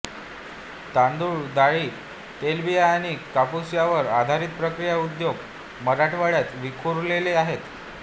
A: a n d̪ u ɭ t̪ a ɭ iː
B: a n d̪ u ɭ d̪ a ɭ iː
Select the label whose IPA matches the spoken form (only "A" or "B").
B